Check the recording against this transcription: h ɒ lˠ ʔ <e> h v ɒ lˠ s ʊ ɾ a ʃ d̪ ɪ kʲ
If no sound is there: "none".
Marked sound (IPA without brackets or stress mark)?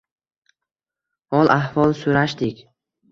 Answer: a